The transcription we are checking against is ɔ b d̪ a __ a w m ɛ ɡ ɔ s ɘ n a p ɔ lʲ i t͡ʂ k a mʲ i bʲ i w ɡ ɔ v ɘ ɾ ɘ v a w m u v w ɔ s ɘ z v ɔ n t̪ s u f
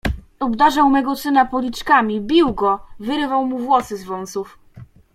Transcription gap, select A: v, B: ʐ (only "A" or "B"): B